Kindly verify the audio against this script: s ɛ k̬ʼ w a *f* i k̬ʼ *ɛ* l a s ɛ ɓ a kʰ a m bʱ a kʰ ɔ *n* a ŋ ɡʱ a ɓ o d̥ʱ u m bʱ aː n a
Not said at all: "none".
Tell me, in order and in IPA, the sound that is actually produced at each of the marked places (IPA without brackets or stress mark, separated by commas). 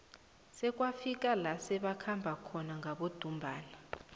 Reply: f, a, n